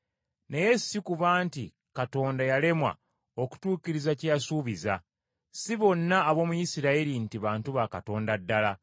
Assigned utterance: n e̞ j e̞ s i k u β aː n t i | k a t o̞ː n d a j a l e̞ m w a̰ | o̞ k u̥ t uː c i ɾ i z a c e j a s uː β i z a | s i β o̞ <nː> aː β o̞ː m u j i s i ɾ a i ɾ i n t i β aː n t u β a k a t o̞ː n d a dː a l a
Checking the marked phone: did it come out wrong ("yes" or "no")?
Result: no